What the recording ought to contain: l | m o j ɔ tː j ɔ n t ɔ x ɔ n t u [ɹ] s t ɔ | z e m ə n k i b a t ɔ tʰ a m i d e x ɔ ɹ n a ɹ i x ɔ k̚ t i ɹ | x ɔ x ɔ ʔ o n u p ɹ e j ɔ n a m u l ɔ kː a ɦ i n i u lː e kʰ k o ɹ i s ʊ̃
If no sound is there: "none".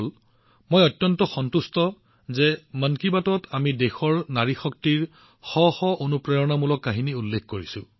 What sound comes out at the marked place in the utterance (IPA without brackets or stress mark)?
none